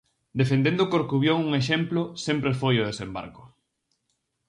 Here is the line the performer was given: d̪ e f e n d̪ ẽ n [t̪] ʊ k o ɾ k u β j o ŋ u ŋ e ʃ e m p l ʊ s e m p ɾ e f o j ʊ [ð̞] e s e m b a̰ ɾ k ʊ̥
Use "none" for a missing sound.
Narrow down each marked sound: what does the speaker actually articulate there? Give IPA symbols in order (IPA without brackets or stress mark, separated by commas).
d̪, ð̞